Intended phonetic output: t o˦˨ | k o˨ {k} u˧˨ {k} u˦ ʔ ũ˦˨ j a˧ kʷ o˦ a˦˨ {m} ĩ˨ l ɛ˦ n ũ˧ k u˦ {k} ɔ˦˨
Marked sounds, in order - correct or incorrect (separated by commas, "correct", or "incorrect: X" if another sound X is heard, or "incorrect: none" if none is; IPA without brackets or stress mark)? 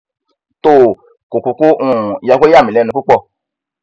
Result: correct, correct, correct, incorrect: k͡p